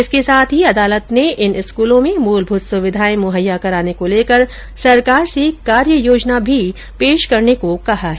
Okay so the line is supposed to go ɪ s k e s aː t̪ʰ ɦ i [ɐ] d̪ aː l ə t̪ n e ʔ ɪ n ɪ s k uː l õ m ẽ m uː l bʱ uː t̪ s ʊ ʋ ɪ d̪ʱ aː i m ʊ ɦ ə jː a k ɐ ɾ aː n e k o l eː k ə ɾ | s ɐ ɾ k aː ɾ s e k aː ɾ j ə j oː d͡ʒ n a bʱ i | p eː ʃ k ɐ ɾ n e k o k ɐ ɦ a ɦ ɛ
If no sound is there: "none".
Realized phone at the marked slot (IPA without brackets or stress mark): ɐ